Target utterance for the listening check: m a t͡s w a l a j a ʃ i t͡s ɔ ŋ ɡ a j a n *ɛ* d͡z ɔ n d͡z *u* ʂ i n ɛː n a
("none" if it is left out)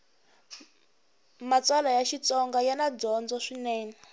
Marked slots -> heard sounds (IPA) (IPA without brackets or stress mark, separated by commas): a, ɔ